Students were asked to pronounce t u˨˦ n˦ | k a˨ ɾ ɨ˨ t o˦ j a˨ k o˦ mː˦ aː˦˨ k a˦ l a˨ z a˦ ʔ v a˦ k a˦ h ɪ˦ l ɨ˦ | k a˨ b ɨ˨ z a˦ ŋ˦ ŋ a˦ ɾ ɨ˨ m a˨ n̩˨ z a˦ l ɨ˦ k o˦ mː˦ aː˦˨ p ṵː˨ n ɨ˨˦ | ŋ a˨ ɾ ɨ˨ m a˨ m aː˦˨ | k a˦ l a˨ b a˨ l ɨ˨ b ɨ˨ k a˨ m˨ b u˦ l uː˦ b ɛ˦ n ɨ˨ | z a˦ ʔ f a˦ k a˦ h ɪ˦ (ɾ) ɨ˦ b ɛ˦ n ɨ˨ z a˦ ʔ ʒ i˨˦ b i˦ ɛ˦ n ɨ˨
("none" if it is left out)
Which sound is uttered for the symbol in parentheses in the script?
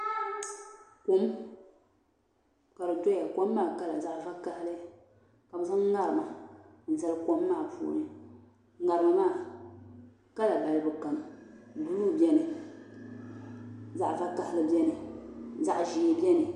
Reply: l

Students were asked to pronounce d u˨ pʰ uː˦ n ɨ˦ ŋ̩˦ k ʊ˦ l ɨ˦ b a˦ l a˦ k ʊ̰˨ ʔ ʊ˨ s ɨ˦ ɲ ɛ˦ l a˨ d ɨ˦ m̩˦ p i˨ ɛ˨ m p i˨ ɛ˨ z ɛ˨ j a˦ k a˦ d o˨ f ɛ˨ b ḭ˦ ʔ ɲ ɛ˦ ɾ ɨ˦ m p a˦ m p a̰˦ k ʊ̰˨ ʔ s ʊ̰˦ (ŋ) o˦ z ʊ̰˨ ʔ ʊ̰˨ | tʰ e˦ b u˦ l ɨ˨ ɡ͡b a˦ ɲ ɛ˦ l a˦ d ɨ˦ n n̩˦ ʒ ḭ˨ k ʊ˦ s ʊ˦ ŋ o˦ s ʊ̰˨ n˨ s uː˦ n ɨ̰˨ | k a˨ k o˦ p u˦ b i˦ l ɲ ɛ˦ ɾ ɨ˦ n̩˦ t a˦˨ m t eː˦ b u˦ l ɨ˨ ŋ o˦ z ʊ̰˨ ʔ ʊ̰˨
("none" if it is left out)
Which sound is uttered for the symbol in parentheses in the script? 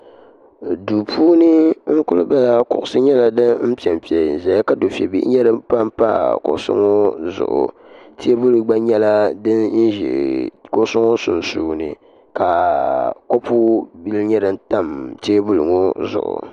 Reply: ŋ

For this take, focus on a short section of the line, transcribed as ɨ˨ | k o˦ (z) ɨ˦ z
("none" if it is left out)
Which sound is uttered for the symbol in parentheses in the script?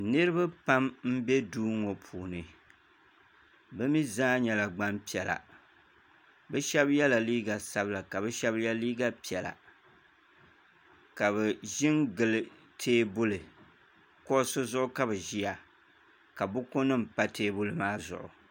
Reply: s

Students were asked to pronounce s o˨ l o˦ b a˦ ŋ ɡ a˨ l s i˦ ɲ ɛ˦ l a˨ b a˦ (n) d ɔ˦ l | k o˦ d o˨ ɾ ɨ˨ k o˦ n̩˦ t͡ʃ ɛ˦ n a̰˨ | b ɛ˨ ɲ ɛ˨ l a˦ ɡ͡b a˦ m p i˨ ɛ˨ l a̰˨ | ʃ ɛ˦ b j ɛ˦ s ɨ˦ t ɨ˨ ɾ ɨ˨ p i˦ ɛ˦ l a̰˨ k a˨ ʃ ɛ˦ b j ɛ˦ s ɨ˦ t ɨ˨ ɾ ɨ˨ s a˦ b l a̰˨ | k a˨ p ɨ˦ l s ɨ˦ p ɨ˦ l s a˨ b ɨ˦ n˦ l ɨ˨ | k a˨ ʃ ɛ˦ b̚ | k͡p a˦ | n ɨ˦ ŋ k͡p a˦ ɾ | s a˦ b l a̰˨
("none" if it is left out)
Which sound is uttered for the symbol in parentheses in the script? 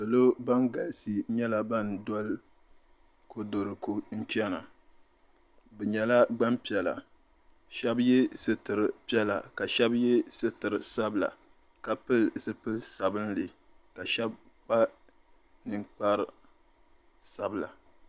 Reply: n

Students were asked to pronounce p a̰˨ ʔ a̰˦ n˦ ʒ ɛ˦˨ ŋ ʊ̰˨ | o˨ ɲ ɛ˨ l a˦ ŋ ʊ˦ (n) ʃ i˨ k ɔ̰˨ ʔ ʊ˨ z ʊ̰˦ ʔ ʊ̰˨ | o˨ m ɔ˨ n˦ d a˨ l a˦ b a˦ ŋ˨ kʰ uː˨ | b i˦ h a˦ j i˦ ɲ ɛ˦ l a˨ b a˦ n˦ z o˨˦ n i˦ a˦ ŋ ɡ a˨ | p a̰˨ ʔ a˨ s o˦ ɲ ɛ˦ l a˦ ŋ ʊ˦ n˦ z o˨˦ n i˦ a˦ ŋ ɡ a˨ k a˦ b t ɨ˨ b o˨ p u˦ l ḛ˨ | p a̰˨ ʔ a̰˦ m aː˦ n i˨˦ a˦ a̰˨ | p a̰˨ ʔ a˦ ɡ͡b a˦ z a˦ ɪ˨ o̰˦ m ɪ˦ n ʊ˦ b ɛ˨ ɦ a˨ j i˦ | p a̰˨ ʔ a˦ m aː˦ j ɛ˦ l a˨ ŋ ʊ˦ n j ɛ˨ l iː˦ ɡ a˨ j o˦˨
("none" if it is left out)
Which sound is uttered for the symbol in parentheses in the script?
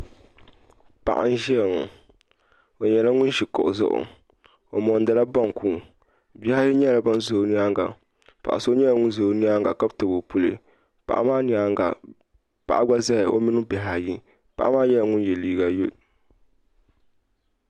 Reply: n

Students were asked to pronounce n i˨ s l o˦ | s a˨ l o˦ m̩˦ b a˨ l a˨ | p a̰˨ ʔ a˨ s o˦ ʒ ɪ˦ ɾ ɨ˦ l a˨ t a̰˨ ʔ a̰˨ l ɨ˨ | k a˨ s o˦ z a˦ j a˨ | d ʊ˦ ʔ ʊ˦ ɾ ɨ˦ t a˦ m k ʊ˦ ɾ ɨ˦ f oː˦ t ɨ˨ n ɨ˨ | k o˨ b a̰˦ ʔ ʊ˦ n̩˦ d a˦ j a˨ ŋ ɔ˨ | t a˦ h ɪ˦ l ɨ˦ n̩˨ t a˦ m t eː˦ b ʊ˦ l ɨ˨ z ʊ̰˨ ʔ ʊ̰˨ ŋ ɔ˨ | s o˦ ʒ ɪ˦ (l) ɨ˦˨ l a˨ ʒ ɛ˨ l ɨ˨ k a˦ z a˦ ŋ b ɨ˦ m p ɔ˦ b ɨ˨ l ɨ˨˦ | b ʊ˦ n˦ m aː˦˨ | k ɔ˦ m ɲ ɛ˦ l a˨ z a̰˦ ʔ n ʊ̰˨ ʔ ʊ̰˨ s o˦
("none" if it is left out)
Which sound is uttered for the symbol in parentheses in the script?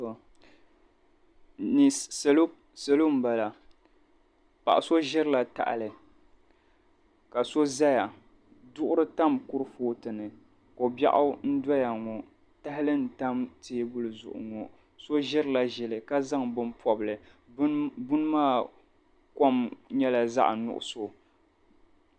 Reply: ɾ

